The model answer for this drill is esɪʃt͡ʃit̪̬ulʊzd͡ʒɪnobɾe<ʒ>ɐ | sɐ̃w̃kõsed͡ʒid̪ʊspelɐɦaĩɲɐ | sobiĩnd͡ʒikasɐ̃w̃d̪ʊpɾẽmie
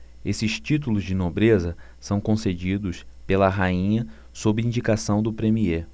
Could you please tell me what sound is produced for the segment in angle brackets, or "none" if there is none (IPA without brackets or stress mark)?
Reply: z